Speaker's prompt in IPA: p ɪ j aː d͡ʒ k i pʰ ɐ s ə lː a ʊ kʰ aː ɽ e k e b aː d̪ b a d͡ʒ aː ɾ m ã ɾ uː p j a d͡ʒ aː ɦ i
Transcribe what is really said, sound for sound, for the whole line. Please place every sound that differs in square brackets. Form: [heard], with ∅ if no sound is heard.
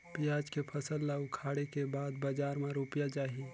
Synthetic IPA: p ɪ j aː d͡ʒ k [e] pʰ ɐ s ə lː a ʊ kʰ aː ɽ e k e b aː d̪ b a d͡ʒ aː ɾ m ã ɾ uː p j a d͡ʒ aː ɦ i